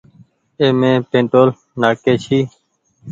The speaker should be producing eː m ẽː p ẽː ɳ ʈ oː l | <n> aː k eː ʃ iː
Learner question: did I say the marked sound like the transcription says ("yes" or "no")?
yes